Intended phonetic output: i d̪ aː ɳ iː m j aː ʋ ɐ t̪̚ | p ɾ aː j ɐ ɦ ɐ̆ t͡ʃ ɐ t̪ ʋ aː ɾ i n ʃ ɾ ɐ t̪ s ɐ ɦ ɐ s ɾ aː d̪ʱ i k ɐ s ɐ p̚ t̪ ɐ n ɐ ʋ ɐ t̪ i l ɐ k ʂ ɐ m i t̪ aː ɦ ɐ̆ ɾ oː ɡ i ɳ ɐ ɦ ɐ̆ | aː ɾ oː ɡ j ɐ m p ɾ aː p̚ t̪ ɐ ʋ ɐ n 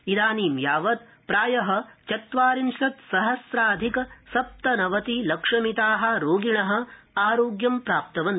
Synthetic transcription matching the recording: i d̪ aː n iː m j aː ʋ ɐ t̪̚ | p ɾ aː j ɐ ɦ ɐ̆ t͡ʃ ɐ t̪ ʋ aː ɾ i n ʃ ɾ ɐ t̪ s ɐ ɦ ɐ s ɾ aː d̪ʱ i k ɐ s ɐ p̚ t̪ ɐ n ɐ ʋ ɐ t̪ i l ɐ k ʂ ɐ m i t̪ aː ɦ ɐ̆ ɾ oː ɡ i ɳ ɐ ɦ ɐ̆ | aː ɾ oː ɡ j ɐ m p ɾ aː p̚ t̪ ɐ ʋ ɐ n

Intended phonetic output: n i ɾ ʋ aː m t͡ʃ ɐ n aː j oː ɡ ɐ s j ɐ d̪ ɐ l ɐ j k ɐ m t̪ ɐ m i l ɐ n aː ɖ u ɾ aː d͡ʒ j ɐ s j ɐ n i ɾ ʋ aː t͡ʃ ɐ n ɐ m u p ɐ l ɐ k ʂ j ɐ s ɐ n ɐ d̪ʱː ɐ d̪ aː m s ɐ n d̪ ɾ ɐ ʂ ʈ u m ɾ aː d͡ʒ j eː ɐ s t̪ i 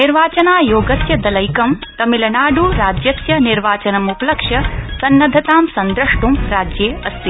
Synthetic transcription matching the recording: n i ɾ ʋ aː t͡ʃ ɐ n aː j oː ɡ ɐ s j ɐ d̪ ɐ l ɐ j k ɐ m t̪ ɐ m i l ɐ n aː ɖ u ɾ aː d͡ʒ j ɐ s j ɐ n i ɾ ʋ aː t͡ʃ ɐ n ɐ m u p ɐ l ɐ k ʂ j ɐ s ɐ nː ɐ d̪ʱ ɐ t̪ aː m s ɐ n d̪ ɾ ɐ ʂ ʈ u m ɾ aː d͡ʒ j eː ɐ s t̪ i

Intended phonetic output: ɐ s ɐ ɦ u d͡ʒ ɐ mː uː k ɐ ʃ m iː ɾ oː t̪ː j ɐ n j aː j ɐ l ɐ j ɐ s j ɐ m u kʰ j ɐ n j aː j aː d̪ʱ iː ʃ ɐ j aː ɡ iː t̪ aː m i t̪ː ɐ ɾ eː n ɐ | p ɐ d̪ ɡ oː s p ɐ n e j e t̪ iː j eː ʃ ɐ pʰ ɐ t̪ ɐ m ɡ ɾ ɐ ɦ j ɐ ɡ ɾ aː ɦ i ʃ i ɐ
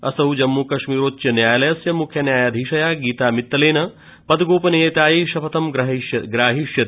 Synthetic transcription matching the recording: ɐ s ɐ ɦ u d͡ʒ ɐ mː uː k ɐ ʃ m iː ɾ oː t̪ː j ɐ n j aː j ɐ l ɐ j ɐ s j ɐ m u kʰ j ɐ n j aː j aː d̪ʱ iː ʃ ɐ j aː ɡ iː t̪ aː m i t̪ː ɐ l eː n ɐ | p ɐ d̪ ɡ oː p ɐ n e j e t̪ aː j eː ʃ ɐ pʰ ɐ t̪ ɐ m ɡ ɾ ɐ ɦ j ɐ ɡ ɾ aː ɦ i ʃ j ɐ

